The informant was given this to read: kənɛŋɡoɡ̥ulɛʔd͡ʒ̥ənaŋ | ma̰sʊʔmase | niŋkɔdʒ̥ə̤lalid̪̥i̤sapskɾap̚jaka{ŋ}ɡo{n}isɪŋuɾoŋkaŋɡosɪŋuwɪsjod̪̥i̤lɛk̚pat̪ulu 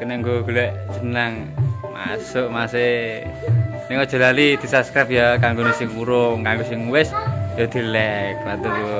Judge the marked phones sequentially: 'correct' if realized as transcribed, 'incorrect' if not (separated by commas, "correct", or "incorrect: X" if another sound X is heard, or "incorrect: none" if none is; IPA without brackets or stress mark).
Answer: correct, correct